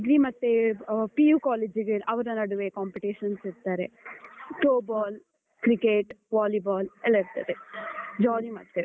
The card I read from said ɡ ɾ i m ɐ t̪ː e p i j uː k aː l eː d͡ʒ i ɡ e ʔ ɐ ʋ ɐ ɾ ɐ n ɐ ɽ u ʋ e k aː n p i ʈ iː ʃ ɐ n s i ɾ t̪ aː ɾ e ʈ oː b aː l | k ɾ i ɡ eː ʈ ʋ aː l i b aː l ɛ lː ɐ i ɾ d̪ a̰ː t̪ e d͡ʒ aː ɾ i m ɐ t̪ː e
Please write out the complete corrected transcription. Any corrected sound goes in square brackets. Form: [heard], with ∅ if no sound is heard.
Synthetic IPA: ɡ ɾ i m ɐ t̪ː e p i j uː k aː l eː d͡ʒ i ɡ e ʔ ɐ ʋ ɐ ɾ ɐ n ɐ ɽ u ʋ e k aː [m] p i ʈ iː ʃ ɐ n s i ɾ t̪ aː ɾ e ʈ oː b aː l | k ɾ i [k] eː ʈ ʋ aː l i b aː l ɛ lː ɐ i ɾ [t̪] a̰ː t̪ e d͡ʒ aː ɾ i m ɐ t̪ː e